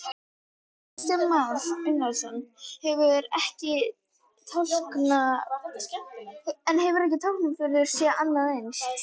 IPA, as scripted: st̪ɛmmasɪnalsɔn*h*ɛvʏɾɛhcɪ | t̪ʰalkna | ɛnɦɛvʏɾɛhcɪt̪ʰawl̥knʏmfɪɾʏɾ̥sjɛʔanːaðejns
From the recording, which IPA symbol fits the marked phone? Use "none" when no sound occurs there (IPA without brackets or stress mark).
h